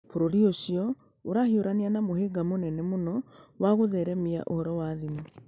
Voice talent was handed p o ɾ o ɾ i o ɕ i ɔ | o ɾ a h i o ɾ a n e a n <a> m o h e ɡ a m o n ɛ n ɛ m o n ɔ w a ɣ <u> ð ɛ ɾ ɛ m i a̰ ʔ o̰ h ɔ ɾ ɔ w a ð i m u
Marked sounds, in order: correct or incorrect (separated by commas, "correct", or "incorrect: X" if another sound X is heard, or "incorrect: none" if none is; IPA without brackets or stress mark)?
correct, incorrect: o